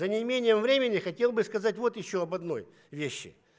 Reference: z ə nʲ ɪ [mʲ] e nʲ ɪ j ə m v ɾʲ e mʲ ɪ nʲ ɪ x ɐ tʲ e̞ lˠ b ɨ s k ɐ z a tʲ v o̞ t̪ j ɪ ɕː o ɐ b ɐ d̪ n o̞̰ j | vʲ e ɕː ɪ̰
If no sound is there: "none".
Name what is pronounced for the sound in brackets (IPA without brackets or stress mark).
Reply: mʲ